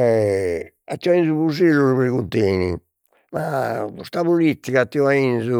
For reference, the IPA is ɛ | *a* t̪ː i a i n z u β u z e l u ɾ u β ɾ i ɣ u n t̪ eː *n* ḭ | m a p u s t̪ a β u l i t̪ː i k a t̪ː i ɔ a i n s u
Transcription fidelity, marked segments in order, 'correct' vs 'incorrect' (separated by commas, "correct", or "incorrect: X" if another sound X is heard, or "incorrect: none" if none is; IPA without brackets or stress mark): correct, correct